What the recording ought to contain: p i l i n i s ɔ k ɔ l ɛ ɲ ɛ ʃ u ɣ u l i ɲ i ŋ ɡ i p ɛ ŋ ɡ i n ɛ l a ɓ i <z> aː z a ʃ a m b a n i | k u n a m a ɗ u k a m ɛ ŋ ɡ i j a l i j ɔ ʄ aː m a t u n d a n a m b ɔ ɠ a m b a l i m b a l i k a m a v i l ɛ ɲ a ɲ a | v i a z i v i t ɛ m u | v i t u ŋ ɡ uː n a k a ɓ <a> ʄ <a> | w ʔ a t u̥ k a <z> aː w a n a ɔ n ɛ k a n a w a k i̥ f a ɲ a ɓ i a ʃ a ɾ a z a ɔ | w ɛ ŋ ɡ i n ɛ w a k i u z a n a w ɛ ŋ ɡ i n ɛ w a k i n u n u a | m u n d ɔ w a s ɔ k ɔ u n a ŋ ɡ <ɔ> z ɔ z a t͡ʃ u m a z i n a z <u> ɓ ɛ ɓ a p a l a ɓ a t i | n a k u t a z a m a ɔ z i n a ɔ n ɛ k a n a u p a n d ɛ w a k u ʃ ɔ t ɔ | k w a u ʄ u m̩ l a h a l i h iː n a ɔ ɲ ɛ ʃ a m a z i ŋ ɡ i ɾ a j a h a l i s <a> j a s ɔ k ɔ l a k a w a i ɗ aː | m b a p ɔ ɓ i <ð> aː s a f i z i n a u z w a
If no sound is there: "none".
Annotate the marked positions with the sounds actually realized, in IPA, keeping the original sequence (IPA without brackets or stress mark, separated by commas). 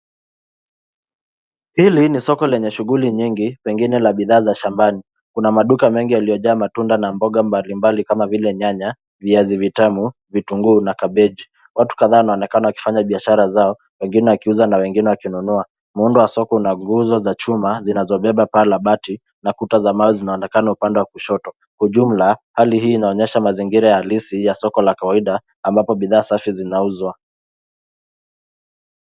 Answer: ð, ɛ, i, ð, u, ɔ, i, ð